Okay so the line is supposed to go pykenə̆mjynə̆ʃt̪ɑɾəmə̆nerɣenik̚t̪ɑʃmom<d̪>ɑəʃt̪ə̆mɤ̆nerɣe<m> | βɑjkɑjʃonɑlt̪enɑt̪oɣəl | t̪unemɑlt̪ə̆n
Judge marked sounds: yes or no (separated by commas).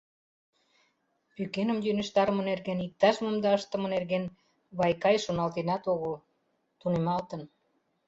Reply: yes, no